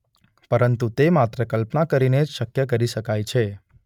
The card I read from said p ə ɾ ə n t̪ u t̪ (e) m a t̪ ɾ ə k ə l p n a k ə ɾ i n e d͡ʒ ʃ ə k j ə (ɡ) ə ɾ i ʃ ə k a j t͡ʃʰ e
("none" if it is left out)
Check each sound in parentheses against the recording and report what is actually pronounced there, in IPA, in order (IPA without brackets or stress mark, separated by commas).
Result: e, k